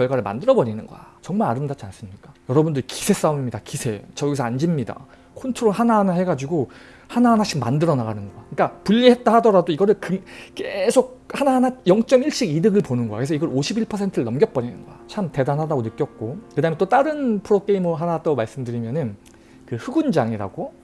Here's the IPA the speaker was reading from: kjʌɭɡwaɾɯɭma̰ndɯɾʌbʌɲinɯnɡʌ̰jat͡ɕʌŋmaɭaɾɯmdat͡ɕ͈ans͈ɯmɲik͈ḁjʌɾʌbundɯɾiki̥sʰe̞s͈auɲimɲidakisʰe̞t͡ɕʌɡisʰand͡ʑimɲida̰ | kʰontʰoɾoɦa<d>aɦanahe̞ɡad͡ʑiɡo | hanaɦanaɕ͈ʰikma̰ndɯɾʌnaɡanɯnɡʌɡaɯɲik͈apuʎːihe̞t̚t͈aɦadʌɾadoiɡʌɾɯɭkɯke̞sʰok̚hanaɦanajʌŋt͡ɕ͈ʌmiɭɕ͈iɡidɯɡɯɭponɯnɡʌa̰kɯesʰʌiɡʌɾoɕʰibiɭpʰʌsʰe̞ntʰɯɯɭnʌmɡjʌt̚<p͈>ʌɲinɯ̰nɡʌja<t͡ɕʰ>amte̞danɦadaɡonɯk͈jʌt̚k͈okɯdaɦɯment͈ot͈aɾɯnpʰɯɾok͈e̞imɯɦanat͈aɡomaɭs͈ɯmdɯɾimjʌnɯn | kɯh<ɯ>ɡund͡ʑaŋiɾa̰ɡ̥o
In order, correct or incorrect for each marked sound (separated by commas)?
incorrect, correct, correct, correct